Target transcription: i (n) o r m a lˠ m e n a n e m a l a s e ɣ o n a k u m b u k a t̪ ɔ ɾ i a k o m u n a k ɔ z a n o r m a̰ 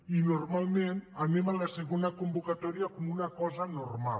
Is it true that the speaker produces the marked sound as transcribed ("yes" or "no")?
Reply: yes